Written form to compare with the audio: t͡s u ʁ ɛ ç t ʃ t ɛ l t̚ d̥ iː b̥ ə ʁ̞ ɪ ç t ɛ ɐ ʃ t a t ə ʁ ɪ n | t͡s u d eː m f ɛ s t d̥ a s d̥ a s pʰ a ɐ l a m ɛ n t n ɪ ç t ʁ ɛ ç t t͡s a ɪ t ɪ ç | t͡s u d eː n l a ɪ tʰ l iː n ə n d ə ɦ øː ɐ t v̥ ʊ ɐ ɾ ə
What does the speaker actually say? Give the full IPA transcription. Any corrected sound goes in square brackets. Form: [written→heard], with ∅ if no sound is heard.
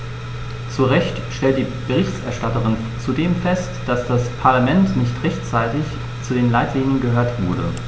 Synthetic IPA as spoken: t͡s u ʁ ɛ ç t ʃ t ɛ l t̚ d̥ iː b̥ ə ʁ̞ ɪ ç t ɛ ɐ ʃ t a t ə ʁ ɪ n | t͡s u d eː m f ɛ s t d̥ a s d̥ a s pʰ a ɐ l a m ɛ n t n ɪ ç t ʁ ɛ ç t t͡s a ɪ t ɪ ç | t͡s u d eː n l a ɪ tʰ l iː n ə n [d→ɡ] ə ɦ øː ɐ t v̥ ʊ ɐ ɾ ə